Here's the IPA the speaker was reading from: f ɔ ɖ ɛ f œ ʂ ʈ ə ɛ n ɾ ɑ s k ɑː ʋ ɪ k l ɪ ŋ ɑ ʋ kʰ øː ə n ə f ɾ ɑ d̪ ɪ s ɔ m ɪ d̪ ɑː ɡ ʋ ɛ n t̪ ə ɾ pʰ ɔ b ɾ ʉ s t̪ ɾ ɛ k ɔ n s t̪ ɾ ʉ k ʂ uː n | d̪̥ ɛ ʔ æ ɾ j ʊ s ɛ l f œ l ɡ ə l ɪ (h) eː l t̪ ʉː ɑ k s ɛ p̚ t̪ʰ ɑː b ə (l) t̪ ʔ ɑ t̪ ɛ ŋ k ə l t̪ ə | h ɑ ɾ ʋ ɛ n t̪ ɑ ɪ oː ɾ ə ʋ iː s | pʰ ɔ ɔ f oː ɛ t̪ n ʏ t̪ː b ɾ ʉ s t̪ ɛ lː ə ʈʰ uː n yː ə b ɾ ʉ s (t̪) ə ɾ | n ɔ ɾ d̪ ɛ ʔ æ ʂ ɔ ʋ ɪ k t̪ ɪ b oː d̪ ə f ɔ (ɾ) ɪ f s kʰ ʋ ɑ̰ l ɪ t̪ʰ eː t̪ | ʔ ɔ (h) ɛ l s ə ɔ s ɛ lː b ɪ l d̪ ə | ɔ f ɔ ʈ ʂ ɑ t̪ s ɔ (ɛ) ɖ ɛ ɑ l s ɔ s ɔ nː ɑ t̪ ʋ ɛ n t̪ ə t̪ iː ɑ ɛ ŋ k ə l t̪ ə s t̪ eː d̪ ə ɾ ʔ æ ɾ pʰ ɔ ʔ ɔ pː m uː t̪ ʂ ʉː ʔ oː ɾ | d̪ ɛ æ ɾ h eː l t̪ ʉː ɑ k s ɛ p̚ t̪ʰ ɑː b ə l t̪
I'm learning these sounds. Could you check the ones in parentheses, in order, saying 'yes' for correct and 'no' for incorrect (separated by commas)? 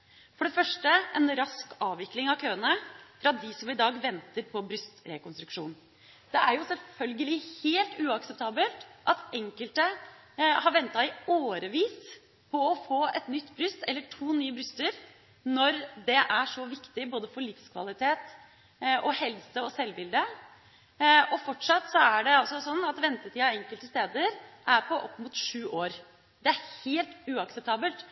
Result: yes, yes, yes, no, yes, no